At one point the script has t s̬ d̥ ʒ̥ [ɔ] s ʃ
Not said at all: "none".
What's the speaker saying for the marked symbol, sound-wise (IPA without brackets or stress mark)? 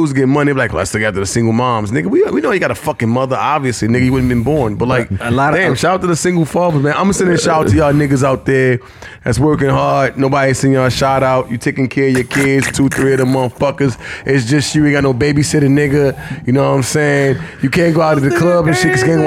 ʌ